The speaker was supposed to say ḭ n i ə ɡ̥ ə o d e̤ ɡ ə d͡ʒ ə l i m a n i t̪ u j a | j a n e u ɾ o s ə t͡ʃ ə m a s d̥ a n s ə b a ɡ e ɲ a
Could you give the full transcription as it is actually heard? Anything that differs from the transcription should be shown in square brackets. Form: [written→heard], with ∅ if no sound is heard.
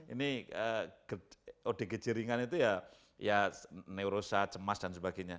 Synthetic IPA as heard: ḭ n i ə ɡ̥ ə o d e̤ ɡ ə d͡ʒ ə [l→ɾ] i [m→ŋ] a n i t̪ u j a | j a n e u ɾ o s [ə→a] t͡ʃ ə m a s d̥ a n s ə b a ɡ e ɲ a